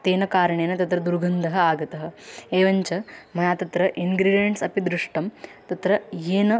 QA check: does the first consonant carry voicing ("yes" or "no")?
no